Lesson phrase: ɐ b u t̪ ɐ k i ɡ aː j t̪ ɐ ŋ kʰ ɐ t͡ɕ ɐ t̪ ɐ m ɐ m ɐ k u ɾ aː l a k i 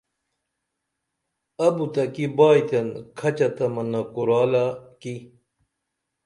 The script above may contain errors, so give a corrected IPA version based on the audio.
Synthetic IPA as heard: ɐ b u t̪ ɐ k i b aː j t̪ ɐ n kʰ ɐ t͡ɕ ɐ t̪ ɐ m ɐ n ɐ k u ɾ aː l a k i